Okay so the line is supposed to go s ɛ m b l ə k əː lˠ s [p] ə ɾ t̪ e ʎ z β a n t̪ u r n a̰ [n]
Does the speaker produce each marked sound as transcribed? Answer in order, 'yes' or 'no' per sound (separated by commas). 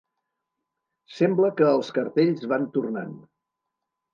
no, yes